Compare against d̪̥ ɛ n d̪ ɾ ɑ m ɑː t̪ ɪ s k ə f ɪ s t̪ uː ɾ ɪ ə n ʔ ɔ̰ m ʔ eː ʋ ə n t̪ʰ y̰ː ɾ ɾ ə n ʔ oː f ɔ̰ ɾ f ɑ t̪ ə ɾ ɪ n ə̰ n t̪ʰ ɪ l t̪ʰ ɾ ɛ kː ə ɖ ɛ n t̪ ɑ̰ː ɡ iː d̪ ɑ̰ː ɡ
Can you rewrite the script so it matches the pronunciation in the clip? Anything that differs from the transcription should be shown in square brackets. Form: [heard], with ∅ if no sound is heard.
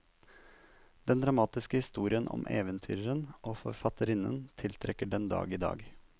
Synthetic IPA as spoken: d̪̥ ɛ n d̪ ɾ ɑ m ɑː t̪ ɪ s k ə [h] ɪ s t̪ uː ɾ ɪ ə n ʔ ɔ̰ m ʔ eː ʋ ə n t̪ʰ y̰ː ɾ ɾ ə n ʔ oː f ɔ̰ ɾ f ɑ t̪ ə ɾ ɪ n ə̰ n t̪ʰ ɪ l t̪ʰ ɾ ɛ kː ə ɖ ɛ n [d̪] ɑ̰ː ɡ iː d̪ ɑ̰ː ɡ